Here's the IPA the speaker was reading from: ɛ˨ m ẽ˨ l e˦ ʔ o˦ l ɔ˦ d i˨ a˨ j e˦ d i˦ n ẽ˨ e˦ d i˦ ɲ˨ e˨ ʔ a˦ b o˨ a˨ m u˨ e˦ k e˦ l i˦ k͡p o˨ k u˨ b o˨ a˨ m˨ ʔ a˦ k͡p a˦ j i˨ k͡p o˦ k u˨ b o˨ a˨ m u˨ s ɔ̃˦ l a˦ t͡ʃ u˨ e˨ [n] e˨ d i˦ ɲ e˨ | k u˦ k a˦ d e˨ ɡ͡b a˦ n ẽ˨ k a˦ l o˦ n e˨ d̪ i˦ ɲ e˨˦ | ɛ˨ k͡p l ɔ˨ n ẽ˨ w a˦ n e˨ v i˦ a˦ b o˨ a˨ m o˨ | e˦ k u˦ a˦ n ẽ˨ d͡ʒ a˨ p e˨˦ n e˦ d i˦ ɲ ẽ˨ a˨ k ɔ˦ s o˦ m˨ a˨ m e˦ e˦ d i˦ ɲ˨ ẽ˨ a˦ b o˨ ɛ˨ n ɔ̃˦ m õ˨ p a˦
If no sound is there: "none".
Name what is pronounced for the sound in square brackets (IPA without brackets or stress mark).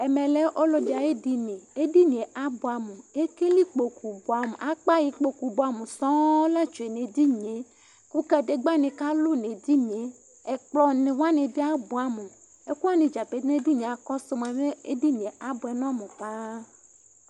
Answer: n